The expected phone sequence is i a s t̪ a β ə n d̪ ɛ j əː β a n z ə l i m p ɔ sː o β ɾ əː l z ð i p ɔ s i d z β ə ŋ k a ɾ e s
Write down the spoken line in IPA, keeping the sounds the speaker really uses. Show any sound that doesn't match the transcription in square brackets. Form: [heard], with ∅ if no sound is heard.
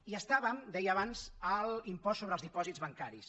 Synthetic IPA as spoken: i [ə] s t̪ a β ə [m] d̪ ɛ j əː β a n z ə l i m p ɔ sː o β ɾ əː l z ð i p ɔ [z] i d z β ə ŋ k a ɾ [i] s